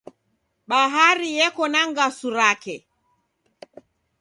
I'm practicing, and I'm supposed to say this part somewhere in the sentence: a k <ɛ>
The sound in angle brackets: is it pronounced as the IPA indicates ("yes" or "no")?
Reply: yes